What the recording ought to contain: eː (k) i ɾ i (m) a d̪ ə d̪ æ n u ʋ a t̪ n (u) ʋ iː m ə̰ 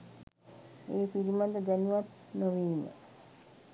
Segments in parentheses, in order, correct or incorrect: incorrect: p, correct, incorrect: o

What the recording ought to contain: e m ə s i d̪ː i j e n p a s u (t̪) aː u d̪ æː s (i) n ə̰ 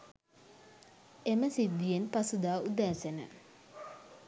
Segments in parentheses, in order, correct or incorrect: incorrect: d̪, incorrect: e

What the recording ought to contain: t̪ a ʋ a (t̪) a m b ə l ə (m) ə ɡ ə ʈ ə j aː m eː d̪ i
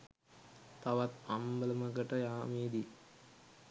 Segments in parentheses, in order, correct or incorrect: correct, correct

